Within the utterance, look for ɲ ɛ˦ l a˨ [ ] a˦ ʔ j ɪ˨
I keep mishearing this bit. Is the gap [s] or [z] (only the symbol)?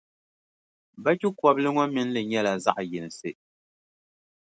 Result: z